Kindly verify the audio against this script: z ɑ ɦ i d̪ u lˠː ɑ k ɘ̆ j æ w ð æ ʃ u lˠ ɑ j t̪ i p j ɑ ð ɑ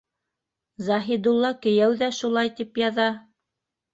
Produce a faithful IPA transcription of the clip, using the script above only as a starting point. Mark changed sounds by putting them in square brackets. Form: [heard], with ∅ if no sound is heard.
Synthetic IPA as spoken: z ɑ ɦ i d̪ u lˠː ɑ k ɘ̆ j æ w ð æ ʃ u lˠ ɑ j t̪ i p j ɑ ð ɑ